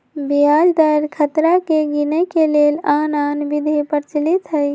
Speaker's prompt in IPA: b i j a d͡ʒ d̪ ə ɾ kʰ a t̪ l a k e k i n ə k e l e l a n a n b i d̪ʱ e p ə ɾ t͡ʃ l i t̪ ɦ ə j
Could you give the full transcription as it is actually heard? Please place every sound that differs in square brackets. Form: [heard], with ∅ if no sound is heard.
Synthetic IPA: b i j a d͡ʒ d̪ ə ɾ kʰ [ə] t̪ [ɾ] a k e [ɡ] i n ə k e l e l a n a n b i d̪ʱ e p ə ɾ t͡ʃ l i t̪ ɦ ə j